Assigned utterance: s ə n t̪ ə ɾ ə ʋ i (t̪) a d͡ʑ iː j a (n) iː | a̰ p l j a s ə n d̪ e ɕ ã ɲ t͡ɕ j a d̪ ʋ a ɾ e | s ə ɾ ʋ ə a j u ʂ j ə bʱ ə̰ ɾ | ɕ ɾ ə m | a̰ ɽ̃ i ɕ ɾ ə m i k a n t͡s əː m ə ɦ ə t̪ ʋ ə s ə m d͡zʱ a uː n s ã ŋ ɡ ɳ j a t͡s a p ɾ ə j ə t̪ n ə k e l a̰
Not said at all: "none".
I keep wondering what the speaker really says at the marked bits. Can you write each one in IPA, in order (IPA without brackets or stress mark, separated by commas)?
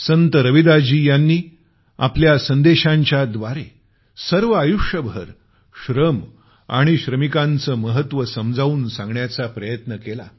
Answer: d̪, nː